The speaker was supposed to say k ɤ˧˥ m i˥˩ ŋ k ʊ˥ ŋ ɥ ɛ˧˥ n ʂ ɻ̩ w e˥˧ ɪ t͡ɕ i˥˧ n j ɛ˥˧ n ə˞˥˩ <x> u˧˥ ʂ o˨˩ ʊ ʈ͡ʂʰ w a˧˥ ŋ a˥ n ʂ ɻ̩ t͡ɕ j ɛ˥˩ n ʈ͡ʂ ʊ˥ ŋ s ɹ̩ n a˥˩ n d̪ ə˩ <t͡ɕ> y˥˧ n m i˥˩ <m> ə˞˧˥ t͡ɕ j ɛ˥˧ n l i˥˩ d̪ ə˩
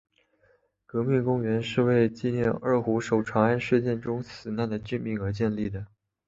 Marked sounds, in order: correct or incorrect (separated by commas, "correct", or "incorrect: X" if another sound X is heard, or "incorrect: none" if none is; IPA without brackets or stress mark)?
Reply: correct, correct, incorrect: ŋ